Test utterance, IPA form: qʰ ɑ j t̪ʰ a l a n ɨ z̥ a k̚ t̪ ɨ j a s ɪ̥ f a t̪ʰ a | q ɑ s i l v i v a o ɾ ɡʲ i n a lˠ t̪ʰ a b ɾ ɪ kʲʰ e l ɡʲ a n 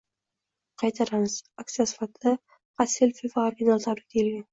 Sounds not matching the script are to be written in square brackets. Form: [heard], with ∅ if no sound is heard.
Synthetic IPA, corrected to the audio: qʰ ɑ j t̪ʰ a [ɾ] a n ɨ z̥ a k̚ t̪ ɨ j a s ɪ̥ f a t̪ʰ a | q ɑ s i l [f] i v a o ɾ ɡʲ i n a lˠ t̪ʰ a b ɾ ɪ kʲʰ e l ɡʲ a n